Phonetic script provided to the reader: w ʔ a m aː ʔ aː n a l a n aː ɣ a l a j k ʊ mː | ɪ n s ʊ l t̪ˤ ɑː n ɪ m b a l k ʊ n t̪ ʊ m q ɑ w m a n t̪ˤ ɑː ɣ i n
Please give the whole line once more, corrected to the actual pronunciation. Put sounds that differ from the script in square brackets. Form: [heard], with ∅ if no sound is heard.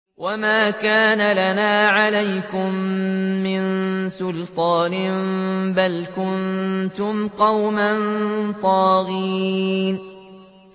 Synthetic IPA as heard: w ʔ a m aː [k] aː n a l a n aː [ʕ] a l a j k ʊ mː | ɪ n s ʊ l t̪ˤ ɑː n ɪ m b a l k ʊ n t̪ ʊ m q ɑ w m a n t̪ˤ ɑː ɣ i n